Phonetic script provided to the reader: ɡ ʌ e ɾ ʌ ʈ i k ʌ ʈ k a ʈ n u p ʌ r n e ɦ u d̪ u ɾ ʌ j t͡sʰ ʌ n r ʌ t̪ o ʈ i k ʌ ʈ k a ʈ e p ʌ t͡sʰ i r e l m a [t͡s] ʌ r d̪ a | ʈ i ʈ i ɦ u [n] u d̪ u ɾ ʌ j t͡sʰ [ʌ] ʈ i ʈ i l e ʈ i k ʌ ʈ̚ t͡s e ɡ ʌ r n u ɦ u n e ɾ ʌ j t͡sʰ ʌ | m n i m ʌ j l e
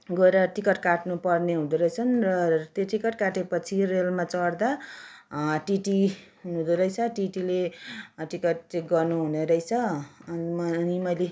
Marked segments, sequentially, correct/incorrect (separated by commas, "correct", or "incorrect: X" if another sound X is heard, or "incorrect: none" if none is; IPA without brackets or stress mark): correct, correct, correct